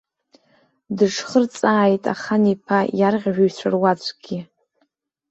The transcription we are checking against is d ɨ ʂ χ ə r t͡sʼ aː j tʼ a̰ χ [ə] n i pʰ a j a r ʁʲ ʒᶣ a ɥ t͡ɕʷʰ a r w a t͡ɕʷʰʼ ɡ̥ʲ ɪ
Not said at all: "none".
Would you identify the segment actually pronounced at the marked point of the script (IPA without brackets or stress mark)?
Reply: a